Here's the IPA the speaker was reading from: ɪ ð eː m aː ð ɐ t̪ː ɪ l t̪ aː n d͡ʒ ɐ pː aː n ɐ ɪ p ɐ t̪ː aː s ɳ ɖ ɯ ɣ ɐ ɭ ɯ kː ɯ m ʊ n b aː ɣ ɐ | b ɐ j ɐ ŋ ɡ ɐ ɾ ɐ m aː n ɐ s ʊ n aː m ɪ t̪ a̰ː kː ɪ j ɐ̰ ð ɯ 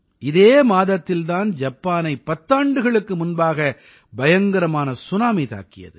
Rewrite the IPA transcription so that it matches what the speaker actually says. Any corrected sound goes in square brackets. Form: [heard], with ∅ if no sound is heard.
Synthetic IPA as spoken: ɪ ð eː m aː ð ɐ t̪ː ɪ l t̪ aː n d͡ʒ ɐ pː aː n ɐ ɪ p ɐ t̪ː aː [∅] ɳ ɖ ɯ ɣ ɐ ɭ ɯ kː ɯ m ʊ n b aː ɣ ɐ | b ɐ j ɐ ŋ ɡ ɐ ɾ ɐ m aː n ɐ s ʊ n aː m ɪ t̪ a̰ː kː ɪ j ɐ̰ ð ɯ